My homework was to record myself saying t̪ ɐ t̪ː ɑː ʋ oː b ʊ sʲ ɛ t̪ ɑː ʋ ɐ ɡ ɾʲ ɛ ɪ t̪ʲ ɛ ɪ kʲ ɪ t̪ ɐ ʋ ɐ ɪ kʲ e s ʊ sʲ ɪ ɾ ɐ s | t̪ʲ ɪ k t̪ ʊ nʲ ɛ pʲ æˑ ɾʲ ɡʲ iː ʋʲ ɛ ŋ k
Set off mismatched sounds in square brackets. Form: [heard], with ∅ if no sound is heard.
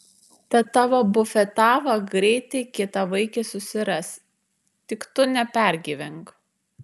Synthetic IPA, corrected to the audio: t̪ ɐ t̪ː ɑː ʋ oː b ʊ [fʲ] ɛ t̪ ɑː ʋ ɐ ɡ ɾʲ ɛ ɪ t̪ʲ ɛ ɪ kʲ ɪ t̪ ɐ ʋ ɐ ɪ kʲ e s ʊ sʲ ɪ ɾ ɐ s | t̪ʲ ɪ k t̪ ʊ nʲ ɛ pʲ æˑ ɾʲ ɡʲ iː ʋʲ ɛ ŋ k